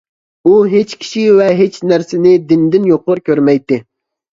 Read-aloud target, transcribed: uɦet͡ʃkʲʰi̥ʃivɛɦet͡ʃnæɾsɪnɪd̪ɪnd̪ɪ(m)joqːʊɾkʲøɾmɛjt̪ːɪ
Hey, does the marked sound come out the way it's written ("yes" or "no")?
no